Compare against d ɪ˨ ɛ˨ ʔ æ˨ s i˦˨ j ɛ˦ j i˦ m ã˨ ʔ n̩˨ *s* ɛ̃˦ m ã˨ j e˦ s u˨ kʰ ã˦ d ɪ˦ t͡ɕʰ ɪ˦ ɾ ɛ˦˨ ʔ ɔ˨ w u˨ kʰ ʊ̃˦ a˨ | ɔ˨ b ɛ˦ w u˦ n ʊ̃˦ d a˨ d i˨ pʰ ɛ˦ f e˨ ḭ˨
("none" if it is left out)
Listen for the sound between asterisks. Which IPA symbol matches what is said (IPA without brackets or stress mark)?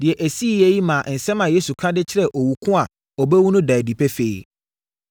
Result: s